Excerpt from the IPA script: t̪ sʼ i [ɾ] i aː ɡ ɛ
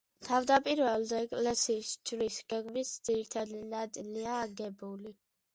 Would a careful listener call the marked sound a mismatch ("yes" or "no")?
yes